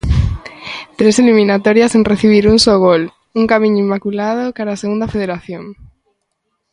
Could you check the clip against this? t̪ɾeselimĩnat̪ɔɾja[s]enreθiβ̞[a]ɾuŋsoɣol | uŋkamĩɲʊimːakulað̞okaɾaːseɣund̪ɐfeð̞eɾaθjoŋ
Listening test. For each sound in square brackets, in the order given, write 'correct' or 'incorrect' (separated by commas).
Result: correct, incorrect